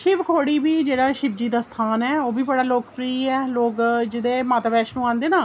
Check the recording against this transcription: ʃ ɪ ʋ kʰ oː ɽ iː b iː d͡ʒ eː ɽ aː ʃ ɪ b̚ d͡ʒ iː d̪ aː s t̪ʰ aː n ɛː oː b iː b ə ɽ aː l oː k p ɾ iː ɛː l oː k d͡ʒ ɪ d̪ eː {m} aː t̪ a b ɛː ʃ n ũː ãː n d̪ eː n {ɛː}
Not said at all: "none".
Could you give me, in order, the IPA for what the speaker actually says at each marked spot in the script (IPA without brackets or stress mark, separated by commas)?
m, aː